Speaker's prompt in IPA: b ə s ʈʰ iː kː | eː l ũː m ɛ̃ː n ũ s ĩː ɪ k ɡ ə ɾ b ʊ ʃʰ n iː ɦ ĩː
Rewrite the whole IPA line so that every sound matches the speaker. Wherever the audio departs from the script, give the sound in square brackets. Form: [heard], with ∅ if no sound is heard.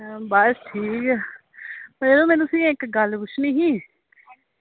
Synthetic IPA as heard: b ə s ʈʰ iː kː | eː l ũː m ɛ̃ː n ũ s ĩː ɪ k ɡ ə [l] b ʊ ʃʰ n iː ɦ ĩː

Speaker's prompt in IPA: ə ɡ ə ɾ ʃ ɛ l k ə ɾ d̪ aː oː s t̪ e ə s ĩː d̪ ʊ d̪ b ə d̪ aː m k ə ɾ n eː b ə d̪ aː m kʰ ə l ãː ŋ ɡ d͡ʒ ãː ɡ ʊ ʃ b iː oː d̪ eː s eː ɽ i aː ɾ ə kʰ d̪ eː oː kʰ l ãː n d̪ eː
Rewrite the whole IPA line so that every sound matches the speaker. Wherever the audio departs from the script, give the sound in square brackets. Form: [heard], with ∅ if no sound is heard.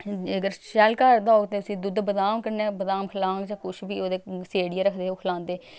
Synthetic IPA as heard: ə ɡ ə ɾ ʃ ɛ l k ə ɾ d̪ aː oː [∅] t̪ e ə s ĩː d̪ ʊ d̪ b ə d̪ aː m k ə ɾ n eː b ə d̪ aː m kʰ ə l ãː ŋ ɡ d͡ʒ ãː [k] ʊ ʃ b iː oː d̪ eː s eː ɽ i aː ɾ ə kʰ d̪ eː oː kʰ l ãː n d̪ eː

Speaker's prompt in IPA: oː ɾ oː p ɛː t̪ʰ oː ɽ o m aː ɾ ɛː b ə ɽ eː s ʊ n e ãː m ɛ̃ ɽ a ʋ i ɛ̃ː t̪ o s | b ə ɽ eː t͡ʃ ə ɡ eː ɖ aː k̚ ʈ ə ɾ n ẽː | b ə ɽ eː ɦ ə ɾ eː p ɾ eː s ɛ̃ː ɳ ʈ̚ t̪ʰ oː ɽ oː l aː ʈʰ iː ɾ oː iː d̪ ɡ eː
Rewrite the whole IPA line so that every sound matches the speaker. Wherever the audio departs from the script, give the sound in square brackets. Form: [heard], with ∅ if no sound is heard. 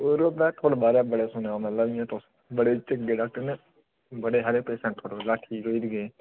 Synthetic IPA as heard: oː ɾ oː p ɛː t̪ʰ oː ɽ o [b] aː ɾ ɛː b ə ɽ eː s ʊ n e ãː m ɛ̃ [l] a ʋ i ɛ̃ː t̪ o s | b ə ɽ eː t͡ʃ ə ɡ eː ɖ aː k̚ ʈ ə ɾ n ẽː | b ə ɽ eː ɦ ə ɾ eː p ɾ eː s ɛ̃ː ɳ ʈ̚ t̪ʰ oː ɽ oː l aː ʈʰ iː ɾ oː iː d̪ ɡ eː

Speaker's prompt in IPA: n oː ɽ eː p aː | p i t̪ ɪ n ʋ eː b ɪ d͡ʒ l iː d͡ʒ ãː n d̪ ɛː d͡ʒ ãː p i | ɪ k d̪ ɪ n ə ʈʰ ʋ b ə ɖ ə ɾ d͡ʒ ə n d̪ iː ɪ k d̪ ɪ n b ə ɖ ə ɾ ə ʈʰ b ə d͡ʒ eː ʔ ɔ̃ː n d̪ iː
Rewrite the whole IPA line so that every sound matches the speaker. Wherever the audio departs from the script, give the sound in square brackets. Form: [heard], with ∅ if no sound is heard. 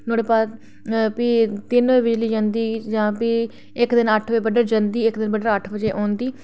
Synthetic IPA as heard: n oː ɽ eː p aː | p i t̪ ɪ n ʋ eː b ɪ d͡ʒ l iː d͡ʒ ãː n d̪ [iː] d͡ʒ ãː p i | ɪ k d̪ ɪ n ə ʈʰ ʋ b ə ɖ ə ɾ d͡ʒ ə n d̪ iː ɪ k d̪ ɪ n b ə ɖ ə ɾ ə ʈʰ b ə d͡ʒ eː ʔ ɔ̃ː n d̪ iː

